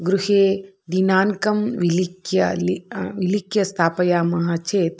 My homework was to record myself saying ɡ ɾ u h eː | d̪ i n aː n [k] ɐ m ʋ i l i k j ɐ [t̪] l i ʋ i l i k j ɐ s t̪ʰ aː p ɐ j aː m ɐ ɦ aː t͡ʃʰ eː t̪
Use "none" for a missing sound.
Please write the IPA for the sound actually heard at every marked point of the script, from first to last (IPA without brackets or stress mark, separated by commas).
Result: k, none